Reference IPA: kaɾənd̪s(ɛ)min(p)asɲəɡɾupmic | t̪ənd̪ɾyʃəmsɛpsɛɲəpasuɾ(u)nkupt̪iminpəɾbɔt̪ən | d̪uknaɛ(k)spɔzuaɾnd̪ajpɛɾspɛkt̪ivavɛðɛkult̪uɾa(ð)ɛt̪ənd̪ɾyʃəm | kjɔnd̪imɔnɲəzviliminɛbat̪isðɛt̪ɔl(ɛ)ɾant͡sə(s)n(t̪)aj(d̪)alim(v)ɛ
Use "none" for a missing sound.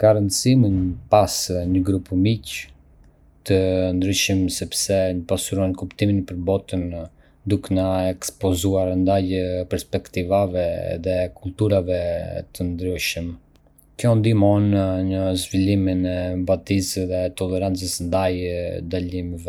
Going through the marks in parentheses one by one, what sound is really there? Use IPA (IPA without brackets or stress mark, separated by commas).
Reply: i, p, ɔ, k, v, ɛ, s, d̪, d̪, v